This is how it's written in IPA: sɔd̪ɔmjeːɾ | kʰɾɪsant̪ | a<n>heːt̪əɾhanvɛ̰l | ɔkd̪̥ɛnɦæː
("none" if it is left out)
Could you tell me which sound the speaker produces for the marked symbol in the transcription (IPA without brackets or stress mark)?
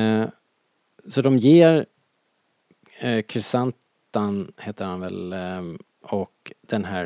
n